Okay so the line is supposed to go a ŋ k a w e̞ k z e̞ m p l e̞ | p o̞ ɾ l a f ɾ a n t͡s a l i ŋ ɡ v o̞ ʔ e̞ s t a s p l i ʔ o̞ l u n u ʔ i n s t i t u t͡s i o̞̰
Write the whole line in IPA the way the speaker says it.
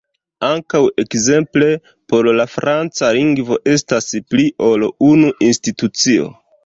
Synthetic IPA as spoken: a ŋ k a w e̞ k z e̞ m p l e̞ | p o̞ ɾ l a f ɾ a n t͡s a l i ŋ ɡ v o̞ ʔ e̞ s t a s p l i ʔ o̞ l u n u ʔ i n s t i t u t͡s i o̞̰